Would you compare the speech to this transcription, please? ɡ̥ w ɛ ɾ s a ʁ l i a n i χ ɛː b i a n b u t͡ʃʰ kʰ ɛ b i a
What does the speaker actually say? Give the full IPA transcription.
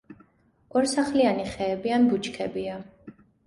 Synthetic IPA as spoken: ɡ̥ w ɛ ɾ s a χ l i a n i χ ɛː b i a n b u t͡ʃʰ kʰ ɛ b i a